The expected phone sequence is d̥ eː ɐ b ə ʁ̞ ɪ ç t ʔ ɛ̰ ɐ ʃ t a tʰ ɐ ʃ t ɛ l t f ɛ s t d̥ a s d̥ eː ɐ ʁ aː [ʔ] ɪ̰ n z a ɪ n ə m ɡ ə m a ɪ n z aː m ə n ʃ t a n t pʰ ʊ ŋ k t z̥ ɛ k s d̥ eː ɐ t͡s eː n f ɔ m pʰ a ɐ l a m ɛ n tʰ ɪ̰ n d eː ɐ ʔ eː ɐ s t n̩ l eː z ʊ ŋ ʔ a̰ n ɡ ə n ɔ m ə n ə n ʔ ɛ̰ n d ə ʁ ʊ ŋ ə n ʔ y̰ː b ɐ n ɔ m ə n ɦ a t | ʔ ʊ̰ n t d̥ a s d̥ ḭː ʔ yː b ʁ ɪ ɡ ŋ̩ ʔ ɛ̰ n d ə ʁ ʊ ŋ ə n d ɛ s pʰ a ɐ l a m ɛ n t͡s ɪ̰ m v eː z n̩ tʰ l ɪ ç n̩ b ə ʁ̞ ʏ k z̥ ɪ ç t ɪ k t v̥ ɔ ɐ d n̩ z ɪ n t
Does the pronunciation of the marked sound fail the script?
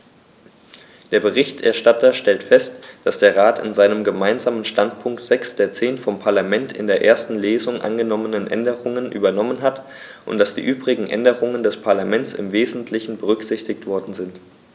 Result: yes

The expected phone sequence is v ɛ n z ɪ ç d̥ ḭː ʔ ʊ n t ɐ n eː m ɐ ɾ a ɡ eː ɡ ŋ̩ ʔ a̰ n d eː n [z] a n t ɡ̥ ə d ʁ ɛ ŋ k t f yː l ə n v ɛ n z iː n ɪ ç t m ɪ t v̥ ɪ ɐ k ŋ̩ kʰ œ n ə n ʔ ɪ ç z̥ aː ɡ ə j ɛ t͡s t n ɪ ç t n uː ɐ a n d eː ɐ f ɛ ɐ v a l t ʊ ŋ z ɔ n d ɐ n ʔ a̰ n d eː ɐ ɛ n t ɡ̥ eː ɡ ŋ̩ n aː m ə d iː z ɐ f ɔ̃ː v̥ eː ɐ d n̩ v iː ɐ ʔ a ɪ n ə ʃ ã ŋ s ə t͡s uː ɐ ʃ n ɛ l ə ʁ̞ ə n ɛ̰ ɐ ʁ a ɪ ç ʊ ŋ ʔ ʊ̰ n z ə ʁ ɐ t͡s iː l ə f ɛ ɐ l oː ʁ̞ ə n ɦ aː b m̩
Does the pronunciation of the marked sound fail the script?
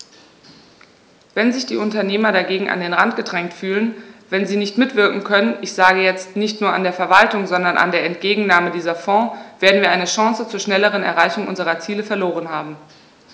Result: yes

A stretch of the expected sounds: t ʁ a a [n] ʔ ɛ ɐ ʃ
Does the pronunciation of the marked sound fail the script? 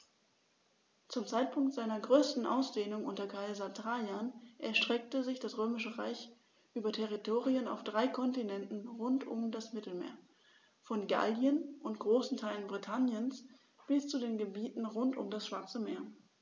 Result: no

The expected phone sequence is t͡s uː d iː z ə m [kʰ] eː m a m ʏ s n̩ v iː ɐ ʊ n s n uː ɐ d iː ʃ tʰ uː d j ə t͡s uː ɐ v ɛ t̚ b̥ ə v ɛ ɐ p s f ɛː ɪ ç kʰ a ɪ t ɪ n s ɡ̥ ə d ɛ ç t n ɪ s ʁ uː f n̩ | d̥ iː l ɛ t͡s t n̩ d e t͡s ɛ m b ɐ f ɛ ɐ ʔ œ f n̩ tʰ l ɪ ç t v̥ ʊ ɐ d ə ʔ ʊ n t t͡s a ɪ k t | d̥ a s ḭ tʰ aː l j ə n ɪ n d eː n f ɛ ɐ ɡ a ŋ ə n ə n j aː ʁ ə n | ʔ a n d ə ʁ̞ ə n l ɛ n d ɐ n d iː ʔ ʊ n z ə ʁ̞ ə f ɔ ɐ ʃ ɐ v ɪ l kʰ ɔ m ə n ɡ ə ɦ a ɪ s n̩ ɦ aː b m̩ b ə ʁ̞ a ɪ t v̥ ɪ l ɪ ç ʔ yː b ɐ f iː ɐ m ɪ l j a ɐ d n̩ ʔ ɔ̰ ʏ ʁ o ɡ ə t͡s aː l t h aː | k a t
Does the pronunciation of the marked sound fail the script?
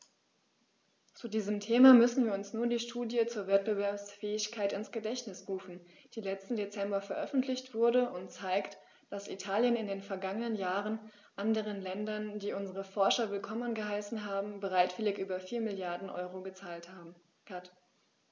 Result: yes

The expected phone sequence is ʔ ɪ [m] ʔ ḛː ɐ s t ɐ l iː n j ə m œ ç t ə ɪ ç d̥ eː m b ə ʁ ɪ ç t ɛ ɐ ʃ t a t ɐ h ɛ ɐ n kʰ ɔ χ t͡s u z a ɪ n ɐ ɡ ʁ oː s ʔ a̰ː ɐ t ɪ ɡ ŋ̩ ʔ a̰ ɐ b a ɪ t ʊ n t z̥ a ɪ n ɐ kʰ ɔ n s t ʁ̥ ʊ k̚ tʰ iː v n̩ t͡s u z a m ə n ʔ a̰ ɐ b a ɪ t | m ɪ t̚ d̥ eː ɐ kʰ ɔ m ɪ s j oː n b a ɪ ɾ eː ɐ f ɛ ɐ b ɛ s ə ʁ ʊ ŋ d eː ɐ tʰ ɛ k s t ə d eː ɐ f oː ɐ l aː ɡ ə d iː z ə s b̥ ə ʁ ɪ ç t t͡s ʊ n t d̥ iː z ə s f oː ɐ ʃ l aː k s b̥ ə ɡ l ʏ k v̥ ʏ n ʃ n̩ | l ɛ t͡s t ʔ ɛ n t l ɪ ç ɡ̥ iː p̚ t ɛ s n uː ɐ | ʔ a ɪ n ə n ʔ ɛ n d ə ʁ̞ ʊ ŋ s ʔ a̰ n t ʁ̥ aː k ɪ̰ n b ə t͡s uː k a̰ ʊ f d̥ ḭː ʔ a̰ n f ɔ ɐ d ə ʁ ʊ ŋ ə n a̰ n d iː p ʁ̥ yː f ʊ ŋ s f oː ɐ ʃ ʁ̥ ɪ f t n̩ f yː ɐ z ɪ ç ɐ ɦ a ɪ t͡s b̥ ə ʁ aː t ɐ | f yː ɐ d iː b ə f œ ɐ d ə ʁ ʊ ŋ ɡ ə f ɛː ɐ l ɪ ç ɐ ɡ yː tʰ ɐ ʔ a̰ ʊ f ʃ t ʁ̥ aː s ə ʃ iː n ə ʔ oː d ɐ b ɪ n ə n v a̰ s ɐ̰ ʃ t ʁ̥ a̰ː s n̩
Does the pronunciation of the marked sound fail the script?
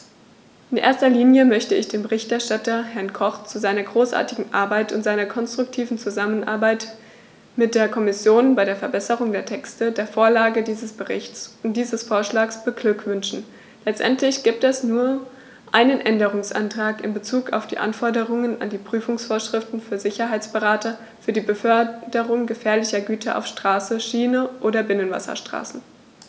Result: yes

